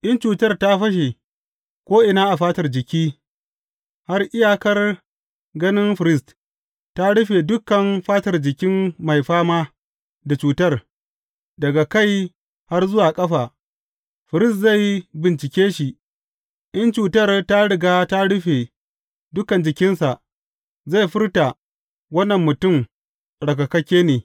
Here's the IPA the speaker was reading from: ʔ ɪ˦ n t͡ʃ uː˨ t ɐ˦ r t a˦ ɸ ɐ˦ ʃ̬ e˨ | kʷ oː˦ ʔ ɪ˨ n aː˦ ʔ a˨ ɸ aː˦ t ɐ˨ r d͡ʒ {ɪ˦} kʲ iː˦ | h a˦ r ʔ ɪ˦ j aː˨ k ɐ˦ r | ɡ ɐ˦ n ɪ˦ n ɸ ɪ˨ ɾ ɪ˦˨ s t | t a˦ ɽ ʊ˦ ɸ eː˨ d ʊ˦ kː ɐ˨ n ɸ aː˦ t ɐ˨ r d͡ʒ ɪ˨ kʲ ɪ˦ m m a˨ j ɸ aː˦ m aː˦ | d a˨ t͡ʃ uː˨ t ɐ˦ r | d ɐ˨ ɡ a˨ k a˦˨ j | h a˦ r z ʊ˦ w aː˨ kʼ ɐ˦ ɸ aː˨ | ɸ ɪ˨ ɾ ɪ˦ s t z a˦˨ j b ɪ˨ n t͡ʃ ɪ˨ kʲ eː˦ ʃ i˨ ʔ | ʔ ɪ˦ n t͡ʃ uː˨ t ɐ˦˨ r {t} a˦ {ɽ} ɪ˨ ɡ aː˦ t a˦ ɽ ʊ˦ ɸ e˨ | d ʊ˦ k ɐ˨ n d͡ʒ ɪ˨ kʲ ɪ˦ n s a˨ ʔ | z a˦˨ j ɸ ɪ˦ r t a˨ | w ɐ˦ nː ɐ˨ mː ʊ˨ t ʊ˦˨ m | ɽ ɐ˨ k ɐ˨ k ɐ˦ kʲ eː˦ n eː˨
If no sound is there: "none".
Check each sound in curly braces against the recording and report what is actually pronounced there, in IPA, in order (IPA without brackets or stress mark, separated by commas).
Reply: ɪ˨, t, ɽ